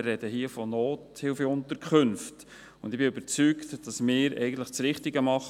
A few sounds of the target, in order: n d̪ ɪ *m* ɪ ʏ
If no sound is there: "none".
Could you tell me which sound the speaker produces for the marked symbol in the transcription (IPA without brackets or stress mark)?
b